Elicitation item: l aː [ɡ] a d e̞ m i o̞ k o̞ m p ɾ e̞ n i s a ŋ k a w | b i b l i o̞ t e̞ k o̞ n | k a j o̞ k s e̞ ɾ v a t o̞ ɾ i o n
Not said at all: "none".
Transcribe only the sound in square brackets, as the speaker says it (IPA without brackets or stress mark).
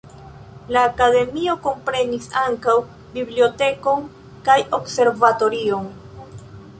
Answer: k